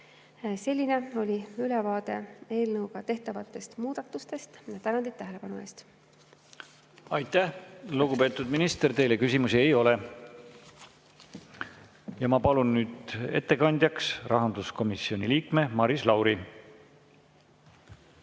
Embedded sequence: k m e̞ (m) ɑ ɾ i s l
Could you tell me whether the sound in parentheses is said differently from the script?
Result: no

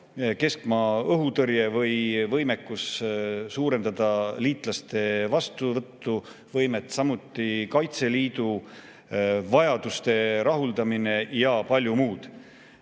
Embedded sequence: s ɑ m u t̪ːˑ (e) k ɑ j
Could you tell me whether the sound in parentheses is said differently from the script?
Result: yes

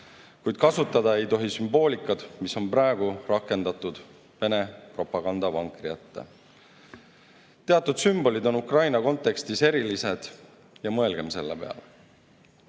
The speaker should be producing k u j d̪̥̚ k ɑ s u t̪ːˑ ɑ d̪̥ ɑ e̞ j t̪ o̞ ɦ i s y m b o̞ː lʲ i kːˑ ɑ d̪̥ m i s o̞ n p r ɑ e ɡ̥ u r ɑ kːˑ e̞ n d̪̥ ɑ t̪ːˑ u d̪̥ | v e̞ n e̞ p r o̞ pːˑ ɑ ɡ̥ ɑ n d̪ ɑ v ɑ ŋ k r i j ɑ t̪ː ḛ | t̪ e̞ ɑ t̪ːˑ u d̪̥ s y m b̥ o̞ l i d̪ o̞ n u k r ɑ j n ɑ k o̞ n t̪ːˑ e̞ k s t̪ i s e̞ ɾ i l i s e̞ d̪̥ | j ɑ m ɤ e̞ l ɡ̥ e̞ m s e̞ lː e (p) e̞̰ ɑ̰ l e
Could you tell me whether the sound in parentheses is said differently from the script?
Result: no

